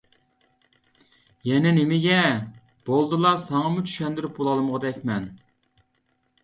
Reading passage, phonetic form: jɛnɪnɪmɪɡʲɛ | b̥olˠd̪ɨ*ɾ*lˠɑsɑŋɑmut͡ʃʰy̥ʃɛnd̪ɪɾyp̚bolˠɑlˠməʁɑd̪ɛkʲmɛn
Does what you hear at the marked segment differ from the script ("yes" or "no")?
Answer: yes